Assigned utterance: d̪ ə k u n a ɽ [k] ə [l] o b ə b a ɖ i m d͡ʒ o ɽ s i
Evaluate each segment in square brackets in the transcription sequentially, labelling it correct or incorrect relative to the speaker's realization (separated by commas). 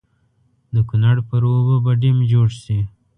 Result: incorrect, incorrect